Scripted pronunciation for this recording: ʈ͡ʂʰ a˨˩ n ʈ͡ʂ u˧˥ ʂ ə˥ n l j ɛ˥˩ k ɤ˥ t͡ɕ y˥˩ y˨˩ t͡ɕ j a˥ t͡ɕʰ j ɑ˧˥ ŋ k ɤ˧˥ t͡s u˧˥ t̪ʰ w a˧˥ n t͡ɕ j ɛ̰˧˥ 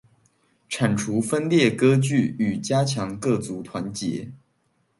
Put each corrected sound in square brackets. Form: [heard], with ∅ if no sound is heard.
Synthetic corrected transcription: ʈ͡ʂʰ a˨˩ n [ʈ͡ʂʰ] u˧˥ [f] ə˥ n l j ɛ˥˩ k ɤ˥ t͡ɕ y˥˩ y˨˩ t͡ɕ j a˥ t͡ɕʰ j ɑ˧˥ ŋ k [ɤ˥˩] t͡s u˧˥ t̪ʰ w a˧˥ n t͡ɕ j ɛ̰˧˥